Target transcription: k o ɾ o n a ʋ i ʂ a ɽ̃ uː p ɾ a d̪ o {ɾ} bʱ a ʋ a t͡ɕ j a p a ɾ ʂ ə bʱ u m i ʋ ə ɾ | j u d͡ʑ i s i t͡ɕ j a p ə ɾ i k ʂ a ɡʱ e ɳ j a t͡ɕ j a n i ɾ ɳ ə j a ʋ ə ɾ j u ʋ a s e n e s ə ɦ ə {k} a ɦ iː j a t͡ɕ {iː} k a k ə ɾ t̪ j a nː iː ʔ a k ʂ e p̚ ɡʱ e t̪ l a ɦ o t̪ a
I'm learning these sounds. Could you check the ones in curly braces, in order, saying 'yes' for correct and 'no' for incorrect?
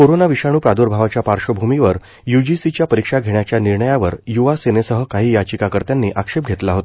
yes, yes, no

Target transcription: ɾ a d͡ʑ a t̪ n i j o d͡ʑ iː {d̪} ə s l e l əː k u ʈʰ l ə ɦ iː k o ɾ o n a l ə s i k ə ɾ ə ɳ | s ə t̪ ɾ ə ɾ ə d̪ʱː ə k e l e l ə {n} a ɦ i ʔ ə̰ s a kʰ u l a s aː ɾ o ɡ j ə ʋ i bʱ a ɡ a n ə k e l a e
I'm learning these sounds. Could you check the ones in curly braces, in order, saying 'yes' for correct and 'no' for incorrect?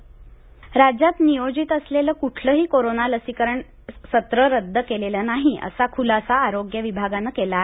no, yes

